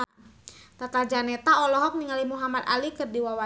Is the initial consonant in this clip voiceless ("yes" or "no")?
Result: yes